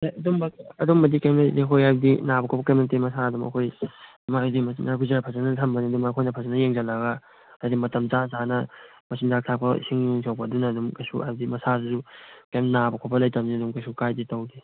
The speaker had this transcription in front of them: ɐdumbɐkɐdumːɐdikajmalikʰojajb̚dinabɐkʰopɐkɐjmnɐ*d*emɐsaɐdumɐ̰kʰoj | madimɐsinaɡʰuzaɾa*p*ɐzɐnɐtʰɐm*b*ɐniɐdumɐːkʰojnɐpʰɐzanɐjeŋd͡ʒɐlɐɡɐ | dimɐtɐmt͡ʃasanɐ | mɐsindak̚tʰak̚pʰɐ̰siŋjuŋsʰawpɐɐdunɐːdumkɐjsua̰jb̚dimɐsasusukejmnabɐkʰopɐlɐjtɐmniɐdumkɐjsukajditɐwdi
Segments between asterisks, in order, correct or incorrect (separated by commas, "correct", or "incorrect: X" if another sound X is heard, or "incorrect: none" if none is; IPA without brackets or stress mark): incorrect: t, incorrect: pʰ, correct